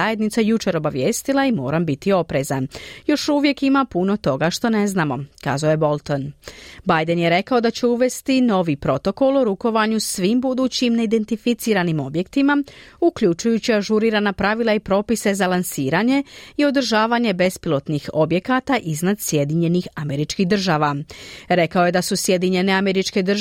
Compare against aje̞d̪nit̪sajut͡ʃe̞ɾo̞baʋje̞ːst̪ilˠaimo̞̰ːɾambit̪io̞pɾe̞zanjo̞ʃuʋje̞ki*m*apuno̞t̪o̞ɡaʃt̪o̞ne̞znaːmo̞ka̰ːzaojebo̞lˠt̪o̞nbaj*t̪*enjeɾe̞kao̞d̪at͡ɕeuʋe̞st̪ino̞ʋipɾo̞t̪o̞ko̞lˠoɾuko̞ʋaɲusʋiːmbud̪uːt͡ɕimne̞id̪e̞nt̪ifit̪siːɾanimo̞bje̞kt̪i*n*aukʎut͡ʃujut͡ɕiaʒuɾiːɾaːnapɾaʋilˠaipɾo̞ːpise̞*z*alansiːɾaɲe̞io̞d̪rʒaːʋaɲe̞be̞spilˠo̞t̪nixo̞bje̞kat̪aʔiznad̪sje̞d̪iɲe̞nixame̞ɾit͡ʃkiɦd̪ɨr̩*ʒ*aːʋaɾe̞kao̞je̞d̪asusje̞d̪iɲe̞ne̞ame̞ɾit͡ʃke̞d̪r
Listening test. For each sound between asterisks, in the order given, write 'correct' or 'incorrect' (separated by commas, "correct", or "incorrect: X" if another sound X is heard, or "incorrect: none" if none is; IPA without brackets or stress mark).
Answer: correct, incorrect: d̪, incorrect: m, correct, correct